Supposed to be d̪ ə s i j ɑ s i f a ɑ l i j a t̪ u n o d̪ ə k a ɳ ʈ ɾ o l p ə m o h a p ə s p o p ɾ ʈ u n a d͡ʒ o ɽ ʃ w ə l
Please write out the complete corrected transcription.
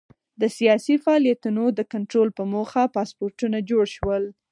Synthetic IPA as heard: d̪ ə s i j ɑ s i f a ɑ l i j a t̪ u n o d̪ ə k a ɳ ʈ ɾ o l p ə m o x a p ɑ s p o ɾ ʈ u n a d͡ʒ o ɽ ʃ w ə l